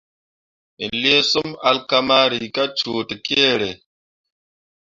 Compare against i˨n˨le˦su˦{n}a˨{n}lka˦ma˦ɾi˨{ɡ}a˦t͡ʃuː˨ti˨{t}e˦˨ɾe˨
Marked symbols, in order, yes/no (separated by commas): no, no, no, no